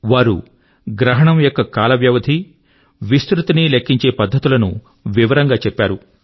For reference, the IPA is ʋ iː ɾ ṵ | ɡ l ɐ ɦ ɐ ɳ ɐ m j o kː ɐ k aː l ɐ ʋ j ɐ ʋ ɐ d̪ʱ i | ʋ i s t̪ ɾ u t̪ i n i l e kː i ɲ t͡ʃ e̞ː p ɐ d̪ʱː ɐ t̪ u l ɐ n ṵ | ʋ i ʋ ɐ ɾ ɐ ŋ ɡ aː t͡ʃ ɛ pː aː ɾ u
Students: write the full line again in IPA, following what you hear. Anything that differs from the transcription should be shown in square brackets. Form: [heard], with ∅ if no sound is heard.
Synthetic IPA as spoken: ʋ [aː] ɾ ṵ | ɡ [ɾ] ɐ ɦ ɐ ɳ ɐ m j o kː ɐ k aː l ɐ ʋ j ɐ ʋ ɐ d̪ʱ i | ʋ i s t̪ ɾ u t̪ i n i l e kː i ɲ t͡ʃ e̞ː p ɐ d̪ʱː ɐ t̪ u l ɐ n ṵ | ʋ i ʋ ɐ ɾ ɐ ŋ ɡ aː t͡ʃ ɛ pː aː ɾ u